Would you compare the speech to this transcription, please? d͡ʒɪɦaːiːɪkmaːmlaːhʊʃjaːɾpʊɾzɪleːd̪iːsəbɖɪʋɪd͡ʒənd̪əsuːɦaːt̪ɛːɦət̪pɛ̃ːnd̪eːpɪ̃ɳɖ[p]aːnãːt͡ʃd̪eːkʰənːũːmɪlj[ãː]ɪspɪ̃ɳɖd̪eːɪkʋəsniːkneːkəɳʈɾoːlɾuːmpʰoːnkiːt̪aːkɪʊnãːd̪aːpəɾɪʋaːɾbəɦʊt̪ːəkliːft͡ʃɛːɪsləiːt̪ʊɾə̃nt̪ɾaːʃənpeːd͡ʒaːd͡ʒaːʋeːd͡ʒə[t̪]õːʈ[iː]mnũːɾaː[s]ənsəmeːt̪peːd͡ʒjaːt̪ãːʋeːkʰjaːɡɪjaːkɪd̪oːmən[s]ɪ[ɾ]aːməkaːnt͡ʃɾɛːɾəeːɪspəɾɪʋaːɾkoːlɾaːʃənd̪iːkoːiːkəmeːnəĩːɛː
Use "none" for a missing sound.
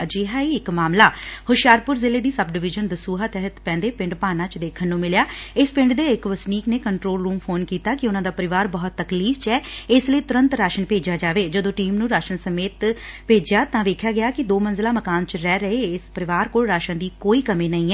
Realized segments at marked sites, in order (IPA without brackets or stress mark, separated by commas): p, aː, d̪, iː, ʃ, z, l